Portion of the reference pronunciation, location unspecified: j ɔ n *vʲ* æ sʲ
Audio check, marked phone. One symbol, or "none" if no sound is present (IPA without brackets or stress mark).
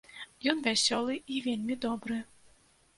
vʲ